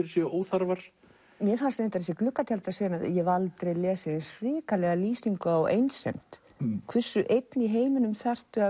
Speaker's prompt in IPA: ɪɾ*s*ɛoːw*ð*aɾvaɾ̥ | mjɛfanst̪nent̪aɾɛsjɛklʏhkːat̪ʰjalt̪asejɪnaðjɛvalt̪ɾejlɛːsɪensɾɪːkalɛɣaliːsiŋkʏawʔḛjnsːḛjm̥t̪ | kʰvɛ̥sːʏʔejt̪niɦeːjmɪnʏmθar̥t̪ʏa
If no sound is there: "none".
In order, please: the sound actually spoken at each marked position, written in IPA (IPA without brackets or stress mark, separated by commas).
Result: s, θ